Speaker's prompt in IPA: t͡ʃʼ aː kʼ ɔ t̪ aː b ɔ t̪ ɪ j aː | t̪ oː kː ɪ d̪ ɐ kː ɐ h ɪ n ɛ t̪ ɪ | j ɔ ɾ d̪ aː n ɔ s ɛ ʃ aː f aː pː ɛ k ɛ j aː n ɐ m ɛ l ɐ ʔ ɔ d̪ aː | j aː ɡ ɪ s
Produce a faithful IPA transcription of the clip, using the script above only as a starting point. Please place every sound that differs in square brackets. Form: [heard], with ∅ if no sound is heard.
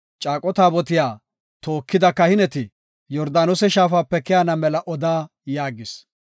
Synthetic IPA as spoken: t͡ʃʼ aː kʼ ɔ t̪ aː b ɔ t̪ ɪ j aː | t̪ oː kː ɪ d̪ ɐ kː ɐ h ɪ n ɛ t̪ ɪ | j ɔ ɾ d̪ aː n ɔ s ɛ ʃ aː f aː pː ɛ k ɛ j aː n ɐ m ɛ l ɐ ʔ ɔ d̪ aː | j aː ɡ ɪ s